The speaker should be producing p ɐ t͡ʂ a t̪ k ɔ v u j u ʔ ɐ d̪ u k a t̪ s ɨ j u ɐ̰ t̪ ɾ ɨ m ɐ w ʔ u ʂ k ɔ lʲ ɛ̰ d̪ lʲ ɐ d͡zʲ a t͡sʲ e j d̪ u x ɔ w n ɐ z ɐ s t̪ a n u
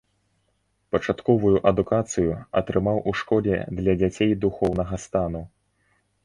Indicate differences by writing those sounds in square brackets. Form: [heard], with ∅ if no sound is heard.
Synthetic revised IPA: p ɐ t͡ʂ a t̪ k ɔ v u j u ʔ ɐ d̪ u k a t̪ s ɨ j u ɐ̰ t̪ ɾ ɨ m [a] w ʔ u ʂ k ɔ lʲ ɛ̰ d̪ lʲ ɐ d͡zʲ a t͡sʲ e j d̪ u x ɔ w n ɐ [ɣ] ɐ s t̪ a n u